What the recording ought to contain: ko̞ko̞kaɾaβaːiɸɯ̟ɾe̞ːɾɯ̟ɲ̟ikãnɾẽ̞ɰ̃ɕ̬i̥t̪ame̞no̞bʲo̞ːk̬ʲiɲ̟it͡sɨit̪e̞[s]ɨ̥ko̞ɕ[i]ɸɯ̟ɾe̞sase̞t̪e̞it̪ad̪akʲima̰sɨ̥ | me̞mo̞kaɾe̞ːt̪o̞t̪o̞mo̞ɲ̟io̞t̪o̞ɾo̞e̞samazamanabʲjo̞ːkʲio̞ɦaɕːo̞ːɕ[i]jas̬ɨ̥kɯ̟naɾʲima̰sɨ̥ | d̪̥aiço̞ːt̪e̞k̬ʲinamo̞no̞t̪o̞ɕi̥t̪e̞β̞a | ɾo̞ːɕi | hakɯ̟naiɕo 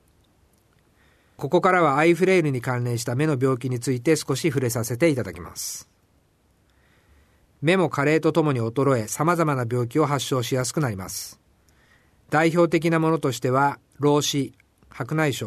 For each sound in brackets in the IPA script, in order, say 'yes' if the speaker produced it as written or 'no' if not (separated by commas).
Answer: yes, yes, yes